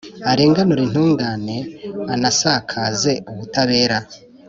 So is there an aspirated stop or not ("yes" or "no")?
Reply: yes